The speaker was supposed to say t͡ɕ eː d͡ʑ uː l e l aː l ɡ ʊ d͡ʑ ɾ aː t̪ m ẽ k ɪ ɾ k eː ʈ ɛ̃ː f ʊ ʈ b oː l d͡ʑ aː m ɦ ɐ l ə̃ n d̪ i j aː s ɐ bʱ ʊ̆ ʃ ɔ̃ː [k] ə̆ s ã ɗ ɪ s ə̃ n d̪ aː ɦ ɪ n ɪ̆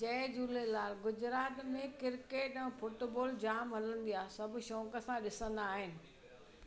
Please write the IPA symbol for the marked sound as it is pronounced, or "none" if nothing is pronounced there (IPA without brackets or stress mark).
k